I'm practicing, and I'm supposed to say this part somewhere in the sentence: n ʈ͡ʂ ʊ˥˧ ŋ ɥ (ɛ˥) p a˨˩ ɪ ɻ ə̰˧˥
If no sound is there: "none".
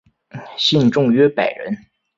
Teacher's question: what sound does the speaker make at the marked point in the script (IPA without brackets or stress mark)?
ɛ˥